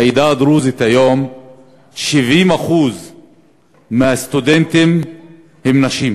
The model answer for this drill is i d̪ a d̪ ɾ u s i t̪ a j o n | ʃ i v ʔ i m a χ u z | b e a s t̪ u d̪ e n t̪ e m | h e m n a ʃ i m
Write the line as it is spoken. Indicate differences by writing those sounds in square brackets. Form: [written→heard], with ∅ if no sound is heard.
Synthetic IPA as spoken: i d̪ a d̪ ɾ u [s→z] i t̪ a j o [n→m] | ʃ i v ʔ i m a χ u z | [b→m] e a s t̪ u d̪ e n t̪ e m | h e m n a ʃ i m